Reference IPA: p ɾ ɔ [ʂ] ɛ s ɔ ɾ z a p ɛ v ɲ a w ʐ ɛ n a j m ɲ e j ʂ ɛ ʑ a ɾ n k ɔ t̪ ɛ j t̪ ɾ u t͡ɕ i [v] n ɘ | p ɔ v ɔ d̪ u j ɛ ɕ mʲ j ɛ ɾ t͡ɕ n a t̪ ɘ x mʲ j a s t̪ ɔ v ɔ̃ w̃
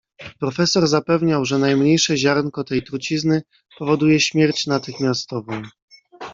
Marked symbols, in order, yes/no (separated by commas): no, no